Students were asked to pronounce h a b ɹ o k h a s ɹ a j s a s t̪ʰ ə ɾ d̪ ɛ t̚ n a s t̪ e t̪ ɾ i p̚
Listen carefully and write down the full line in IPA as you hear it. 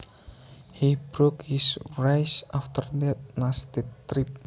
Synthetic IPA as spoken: h i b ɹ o k h i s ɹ a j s a f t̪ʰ ə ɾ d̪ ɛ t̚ n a s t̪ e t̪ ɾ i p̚